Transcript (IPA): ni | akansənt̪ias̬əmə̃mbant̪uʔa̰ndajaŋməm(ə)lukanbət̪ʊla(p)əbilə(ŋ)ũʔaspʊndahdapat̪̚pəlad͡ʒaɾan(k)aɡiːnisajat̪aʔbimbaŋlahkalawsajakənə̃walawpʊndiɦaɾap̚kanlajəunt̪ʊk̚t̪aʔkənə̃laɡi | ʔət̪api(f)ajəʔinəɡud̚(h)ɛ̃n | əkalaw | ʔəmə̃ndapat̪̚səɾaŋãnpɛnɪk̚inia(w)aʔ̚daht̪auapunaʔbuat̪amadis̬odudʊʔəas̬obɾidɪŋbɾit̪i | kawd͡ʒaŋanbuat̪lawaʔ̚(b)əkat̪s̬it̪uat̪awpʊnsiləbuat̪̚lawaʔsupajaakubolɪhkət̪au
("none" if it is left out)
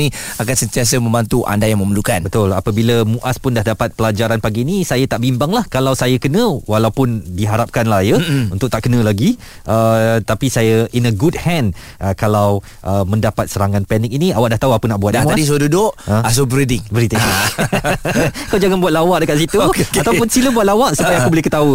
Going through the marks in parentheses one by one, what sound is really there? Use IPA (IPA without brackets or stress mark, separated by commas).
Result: ə, p, m, p, s, h, w, d